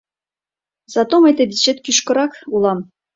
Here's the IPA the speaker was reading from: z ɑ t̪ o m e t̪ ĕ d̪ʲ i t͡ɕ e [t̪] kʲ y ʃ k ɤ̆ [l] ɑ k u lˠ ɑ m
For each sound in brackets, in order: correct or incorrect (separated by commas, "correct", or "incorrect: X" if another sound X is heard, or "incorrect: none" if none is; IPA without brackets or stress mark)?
correct, incorrect: ɾ